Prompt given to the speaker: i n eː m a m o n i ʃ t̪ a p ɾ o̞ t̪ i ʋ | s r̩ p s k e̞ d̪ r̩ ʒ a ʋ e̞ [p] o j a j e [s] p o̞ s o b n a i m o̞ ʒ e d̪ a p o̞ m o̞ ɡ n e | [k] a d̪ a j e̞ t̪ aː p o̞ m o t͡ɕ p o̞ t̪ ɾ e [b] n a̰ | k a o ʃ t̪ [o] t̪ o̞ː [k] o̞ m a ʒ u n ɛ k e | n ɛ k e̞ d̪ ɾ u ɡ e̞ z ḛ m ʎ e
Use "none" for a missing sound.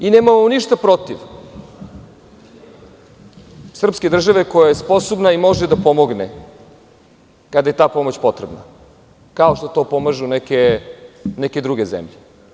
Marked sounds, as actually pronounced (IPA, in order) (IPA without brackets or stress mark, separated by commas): k, s, k, b, o, p